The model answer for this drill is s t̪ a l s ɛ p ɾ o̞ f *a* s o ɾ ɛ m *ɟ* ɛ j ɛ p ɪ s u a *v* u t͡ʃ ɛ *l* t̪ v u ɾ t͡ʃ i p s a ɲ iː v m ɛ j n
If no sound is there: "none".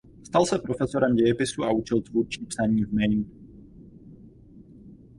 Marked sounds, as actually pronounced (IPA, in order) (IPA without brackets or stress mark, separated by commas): ɛ, ɟ, none, l